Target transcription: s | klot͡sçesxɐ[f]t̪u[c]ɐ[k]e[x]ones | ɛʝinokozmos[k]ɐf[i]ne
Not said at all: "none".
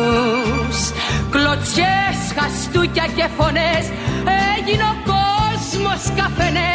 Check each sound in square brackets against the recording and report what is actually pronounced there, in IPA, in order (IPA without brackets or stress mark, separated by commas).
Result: s, c, c, f, k, e